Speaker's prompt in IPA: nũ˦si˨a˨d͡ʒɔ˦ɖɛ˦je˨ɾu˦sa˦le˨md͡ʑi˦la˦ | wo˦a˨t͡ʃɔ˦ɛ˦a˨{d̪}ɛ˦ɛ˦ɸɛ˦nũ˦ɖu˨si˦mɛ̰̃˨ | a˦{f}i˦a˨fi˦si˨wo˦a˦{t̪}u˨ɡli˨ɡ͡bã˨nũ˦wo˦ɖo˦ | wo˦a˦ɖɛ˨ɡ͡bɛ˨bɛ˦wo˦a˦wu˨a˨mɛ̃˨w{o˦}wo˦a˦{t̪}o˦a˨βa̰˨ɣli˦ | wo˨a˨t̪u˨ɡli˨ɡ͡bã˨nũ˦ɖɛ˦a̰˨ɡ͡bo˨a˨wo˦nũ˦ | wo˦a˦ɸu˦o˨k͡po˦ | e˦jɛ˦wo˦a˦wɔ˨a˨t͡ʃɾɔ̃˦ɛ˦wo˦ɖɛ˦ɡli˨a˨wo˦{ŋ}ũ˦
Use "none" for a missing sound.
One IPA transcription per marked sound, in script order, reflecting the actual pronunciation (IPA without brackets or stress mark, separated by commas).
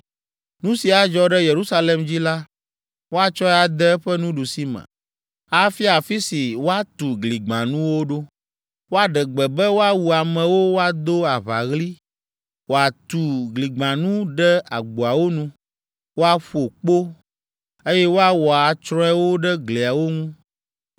d̪, f, t̪, o˦, d̪, ŋ